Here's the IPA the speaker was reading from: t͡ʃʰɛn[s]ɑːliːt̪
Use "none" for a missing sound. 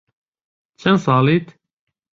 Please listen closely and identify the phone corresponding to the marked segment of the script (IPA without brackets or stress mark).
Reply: s